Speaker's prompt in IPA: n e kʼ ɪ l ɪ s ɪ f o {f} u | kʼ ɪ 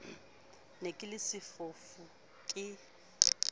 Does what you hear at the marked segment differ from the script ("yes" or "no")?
no